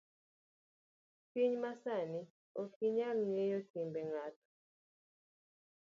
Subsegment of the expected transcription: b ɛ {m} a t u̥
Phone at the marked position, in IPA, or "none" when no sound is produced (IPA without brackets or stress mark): ŋ